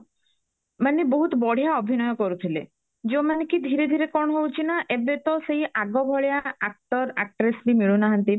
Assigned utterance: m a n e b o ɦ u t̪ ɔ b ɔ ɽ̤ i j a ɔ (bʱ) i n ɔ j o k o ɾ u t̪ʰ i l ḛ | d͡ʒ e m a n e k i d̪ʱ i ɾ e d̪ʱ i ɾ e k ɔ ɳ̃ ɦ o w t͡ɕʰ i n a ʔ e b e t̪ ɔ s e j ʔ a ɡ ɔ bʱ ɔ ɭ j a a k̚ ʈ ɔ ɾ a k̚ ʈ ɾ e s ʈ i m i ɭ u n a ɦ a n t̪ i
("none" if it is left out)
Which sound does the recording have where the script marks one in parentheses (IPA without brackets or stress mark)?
bʱ